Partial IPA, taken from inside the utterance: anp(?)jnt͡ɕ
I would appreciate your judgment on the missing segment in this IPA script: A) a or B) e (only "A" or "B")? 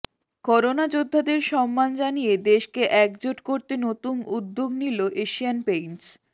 B